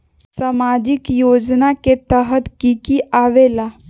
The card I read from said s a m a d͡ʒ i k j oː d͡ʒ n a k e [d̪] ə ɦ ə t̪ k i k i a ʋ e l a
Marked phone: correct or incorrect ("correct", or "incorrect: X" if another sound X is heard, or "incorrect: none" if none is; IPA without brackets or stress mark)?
incorrect: t̪